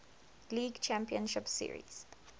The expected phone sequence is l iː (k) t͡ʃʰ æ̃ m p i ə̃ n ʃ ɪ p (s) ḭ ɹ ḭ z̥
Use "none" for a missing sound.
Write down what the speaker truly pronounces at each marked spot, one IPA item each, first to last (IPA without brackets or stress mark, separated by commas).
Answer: ɡ, s